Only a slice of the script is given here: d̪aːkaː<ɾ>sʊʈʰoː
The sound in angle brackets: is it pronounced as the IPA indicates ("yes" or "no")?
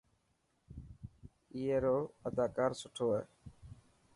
yes